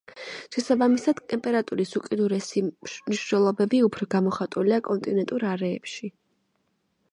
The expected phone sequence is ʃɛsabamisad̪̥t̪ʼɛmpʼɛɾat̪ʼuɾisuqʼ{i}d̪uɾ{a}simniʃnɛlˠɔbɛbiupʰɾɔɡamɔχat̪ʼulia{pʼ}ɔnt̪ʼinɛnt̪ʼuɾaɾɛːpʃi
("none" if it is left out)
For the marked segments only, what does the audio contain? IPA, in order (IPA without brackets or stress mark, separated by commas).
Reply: i, ɛ, kʼ